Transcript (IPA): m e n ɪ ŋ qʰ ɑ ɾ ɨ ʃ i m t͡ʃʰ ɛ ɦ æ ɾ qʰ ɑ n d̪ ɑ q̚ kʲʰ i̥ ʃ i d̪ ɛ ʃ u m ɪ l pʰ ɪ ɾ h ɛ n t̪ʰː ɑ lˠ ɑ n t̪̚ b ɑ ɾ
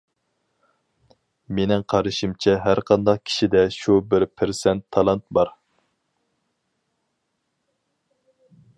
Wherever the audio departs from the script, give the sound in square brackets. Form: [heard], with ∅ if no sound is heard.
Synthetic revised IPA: m e n ɪ ŋ qʰ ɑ ɾ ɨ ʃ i m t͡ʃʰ ɛ ɦ æ ɾ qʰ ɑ n d̪ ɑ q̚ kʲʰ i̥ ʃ i d̪ ɛ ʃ u [b] ɪ [ɾ] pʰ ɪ ɾ [s] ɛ n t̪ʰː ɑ lˠ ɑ n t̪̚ b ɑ ɾ